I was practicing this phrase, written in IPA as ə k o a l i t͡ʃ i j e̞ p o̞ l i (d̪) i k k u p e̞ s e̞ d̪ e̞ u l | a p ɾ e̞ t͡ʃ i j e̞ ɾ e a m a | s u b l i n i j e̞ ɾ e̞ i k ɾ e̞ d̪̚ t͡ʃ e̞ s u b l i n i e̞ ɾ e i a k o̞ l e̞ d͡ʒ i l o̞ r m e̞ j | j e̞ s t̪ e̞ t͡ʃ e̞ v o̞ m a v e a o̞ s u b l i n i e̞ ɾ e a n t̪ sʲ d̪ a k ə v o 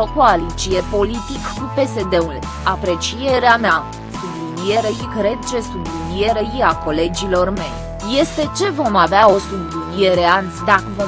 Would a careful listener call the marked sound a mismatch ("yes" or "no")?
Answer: yes